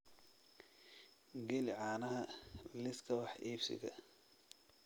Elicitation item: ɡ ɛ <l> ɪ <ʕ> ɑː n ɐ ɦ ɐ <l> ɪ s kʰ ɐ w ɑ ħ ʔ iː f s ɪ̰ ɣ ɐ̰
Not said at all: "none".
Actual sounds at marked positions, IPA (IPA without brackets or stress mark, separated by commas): l, ʕ, l